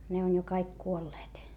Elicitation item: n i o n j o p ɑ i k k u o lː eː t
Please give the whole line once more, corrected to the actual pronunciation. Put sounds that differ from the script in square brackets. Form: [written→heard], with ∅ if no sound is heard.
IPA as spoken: n [i→e] o n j o [p→k] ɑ i k k u o lː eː t